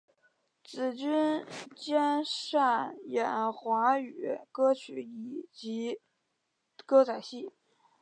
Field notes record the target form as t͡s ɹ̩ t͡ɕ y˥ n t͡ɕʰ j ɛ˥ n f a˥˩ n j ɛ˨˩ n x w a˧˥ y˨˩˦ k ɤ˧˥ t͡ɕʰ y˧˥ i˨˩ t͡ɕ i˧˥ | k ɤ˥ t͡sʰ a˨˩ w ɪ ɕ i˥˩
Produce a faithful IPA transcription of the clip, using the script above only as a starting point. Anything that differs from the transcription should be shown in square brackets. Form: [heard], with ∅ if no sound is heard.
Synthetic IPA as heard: t͡s ɹ̩ t͡ɕ y˥ n [t͡ɕ] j ɛ˥ n [ʂ] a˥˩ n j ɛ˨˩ n x w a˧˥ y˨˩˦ k [ɤ˥] t͡ɕʰ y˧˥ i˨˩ t͡ɕ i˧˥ | k ɤ˥ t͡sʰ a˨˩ [∅] ɪ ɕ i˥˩